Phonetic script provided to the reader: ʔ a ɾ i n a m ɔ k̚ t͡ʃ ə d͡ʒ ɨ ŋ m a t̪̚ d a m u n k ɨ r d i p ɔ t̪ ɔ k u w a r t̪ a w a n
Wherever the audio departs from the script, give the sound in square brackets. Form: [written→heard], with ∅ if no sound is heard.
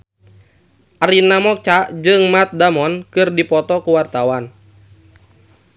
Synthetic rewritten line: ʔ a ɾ i n a m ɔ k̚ t͡ʃ [ə→a] d͡ʒ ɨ ŋ m a t̪̚ d a m [u→ɔ] n k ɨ r d i p ɔ t̪ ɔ k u w a r t̪ a w a n

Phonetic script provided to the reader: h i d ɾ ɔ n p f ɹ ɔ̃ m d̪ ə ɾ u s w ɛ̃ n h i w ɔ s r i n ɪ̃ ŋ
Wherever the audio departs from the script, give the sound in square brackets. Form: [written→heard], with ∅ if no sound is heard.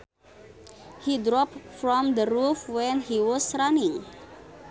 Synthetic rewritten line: h i d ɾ ɔ [n→∅] p f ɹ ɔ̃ m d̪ ə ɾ u [s→f] w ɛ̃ n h i w ɔ s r [i→a] n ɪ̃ ŋ

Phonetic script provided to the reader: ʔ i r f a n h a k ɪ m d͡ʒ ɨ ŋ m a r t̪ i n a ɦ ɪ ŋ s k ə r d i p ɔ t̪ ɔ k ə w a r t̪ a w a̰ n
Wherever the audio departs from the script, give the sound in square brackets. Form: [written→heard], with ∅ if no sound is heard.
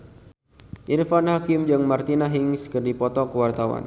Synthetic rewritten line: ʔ i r f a n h a k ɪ m d͡ʒ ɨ ŋ m a r t̪ i n a ɦ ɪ ŋ s k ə r d i p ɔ t̪ ɔ k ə w a r t̪ a w a̰ n

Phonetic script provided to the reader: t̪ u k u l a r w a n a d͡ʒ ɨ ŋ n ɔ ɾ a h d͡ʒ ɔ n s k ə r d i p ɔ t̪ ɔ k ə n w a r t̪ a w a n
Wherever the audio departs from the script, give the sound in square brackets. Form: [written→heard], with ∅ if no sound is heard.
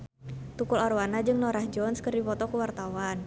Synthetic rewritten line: t̪ u k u l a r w a n a d͡ʒ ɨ ŋ n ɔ ɾ a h d͡ʒ ɔ n s k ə r d i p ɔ t̪ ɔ k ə [n→∅] w a r t̪ a w a n

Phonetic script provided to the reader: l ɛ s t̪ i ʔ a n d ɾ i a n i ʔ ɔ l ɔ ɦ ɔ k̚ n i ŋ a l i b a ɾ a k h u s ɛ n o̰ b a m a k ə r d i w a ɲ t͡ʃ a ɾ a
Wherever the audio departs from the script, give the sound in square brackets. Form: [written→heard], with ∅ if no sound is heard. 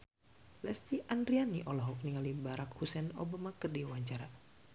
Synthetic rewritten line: l ɛ s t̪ i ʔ a n d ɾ i a n i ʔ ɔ l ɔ ɦ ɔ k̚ n i ŋ a l i b a ɾ a k h u s ɛ n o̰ b a m a k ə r d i w a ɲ t͡ʃ a ɾ a

